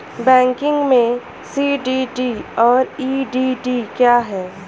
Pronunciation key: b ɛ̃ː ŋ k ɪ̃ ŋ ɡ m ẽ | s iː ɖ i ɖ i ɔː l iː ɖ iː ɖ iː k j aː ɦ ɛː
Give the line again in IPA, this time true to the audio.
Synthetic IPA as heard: b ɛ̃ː ŋ k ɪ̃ ŋ ɡ m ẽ | s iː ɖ i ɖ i ɔː ɾ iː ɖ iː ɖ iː k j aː ɦ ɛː